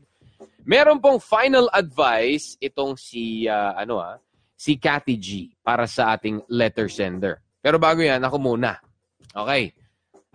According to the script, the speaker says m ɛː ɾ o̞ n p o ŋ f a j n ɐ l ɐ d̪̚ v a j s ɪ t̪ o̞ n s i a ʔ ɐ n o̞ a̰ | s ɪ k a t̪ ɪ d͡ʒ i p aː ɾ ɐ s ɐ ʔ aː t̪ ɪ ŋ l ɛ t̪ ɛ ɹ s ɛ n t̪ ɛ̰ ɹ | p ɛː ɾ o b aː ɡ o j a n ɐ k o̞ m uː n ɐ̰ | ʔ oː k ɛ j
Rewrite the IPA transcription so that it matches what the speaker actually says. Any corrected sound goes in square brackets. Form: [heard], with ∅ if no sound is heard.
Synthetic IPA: m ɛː ɾ o̞ n p o ŋ f a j n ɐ l ɐ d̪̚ v a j s ɪ t̪ o̞ [ŋ] s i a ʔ ɐ n o̞ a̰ | s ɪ k a t̪ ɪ d͡ʒ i p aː ɾ ɐ s ɐ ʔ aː t̪ ɪ ŋ l ɛ t̪ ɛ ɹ s ɛ n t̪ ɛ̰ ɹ | p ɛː ɾ o b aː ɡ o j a n ɐ k o̞ m uː n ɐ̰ | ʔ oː k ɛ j